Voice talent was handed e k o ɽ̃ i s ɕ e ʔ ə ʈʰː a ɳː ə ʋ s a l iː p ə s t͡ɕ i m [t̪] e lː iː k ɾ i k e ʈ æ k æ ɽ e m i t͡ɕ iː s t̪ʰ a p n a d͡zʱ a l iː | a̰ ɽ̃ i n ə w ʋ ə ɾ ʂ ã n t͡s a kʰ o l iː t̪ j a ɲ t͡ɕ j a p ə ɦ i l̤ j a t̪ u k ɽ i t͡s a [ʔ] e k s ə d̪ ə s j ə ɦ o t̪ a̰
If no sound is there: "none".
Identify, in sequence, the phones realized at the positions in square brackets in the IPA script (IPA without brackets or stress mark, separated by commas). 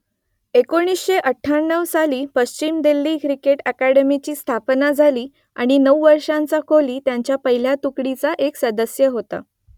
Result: d̪, ʔ